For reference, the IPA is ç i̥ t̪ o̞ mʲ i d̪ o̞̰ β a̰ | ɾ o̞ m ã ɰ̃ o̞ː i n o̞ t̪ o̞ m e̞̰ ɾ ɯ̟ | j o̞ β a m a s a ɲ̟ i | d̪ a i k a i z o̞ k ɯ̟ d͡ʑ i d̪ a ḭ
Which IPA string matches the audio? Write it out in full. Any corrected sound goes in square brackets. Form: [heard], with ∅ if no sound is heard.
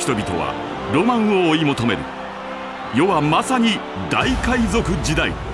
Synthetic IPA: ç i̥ t̪ o̞ [bʲ] i [t̪] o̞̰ β a̰ | ɾ o̞ m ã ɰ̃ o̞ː i [m] o̞ t̪ o̞ m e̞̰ ɾ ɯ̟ | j o̞ β a m a s a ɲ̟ i | d̪ a i k a i z o̞ k ɯ̟ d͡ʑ i d̪ a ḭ